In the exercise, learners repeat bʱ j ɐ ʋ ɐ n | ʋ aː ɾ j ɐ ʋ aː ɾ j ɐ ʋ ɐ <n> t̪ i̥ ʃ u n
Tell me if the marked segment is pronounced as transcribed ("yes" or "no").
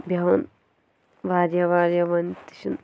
yes